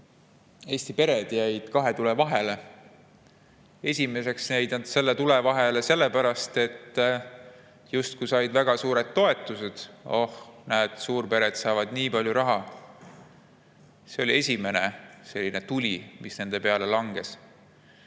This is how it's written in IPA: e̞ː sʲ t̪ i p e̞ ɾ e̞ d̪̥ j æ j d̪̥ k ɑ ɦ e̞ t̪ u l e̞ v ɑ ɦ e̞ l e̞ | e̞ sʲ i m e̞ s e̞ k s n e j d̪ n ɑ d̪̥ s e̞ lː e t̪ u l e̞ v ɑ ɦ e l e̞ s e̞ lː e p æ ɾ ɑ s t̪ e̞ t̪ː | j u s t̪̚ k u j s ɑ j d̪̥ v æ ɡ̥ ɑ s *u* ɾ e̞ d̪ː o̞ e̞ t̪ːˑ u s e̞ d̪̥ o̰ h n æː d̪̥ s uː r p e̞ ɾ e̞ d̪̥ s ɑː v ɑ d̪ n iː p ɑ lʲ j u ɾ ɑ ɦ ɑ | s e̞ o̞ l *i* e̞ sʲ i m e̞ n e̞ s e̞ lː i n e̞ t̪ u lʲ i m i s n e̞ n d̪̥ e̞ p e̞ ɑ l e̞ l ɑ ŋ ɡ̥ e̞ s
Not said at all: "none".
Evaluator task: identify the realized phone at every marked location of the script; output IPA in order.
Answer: uː, i

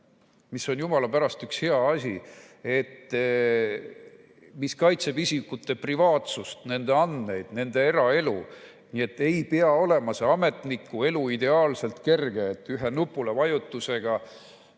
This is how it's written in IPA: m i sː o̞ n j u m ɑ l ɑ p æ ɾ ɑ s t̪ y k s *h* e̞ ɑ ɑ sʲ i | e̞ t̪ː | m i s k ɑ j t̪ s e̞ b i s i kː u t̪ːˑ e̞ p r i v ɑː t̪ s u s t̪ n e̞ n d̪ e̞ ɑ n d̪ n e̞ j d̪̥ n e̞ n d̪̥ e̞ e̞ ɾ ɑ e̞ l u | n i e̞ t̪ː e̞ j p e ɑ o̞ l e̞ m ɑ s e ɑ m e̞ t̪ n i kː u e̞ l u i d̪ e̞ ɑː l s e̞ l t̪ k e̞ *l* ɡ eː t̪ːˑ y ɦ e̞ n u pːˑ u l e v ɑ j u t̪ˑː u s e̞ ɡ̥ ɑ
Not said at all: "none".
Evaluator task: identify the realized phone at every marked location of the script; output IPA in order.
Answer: h, r

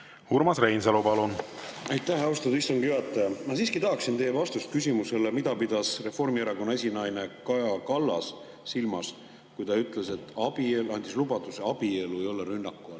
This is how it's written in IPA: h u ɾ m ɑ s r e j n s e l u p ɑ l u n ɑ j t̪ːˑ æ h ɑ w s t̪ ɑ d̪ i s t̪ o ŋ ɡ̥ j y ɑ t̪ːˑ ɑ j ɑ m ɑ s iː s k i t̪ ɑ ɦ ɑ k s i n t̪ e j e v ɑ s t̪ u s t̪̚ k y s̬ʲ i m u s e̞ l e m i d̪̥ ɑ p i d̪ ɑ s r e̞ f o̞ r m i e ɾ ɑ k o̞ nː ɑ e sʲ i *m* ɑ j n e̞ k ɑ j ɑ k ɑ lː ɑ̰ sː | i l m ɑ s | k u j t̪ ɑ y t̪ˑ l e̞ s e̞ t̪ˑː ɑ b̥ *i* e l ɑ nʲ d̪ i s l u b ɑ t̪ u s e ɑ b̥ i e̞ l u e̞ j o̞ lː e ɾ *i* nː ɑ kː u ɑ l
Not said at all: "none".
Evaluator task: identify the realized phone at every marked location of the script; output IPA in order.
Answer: n, i, y

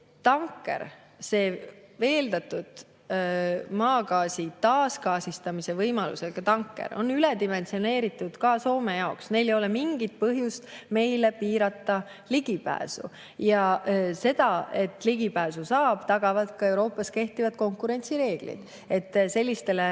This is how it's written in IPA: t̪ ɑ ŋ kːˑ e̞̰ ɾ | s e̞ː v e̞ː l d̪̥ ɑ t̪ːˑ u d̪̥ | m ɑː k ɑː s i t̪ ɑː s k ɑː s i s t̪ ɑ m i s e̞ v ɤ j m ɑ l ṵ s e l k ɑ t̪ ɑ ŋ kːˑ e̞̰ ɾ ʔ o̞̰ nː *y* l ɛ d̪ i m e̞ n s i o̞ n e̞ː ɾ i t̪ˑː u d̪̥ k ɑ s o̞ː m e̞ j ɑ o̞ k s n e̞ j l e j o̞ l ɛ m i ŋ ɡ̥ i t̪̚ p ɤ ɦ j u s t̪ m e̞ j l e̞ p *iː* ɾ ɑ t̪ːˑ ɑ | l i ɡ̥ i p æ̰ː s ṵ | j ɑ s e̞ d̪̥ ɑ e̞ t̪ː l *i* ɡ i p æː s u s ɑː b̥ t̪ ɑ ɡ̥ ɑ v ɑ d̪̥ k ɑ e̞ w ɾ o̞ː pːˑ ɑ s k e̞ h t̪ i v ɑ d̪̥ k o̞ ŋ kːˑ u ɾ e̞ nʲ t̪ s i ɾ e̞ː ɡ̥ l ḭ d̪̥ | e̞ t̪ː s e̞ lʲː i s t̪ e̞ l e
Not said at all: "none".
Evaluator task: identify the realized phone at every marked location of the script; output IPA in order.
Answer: y, iː, i

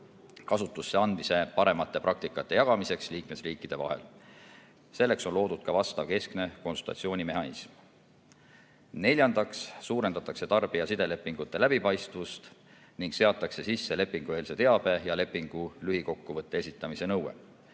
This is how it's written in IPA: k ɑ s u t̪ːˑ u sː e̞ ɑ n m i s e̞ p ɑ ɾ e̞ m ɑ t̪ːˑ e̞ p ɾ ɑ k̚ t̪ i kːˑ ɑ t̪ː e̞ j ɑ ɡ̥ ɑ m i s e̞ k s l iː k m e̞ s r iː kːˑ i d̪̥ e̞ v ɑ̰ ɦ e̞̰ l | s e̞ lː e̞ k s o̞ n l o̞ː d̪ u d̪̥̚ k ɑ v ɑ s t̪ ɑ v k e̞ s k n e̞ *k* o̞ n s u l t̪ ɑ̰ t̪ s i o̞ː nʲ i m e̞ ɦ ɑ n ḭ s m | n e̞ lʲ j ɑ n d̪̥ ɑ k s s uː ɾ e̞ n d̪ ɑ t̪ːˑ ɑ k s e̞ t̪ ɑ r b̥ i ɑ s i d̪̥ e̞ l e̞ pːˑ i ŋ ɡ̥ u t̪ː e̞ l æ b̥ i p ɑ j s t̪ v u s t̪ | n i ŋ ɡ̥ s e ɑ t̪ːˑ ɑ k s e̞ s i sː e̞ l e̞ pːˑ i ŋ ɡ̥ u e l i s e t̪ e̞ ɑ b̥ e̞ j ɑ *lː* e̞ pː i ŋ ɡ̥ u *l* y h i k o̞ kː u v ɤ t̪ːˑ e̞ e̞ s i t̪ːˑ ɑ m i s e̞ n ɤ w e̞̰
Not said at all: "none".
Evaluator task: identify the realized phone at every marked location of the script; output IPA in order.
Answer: k, l, l

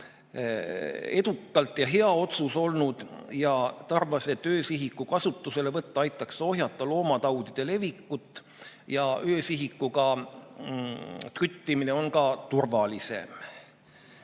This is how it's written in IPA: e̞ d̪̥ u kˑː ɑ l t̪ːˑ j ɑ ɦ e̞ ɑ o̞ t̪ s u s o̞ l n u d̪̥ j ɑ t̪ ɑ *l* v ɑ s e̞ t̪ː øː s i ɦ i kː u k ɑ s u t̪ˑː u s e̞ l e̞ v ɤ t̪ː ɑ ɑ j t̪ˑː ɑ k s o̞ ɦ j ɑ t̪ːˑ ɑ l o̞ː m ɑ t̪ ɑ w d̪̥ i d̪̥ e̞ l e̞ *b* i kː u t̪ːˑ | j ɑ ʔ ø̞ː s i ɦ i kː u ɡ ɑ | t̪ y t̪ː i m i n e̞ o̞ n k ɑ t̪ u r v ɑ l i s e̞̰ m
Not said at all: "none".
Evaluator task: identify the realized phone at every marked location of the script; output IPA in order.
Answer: r, v

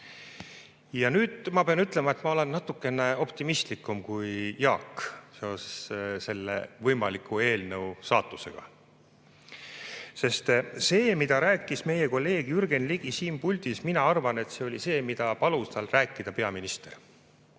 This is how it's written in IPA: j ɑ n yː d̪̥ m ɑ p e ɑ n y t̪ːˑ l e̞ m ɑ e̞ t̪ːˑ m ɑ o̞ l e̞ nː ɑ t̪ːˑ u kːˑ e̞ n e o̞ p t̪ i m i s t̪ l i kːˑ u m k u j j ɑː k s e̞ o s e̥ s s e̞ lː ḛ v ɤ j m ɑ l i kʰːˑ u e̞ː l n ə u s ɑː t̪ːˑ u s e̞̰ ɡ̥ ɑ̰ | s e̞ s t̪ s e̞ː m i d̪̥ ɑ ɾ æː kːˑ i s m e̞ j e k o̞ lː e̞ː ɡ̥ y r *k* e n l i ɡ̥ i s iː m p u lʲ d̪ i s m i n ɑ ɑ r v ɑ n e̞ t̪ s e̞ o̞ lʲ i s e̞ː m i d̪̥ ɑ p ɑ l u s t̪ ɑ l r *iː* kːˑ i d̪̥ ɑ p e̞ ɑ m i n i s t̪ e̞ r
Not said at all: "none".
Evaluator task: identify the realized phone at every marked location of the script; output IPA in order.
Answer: ɡ, æː

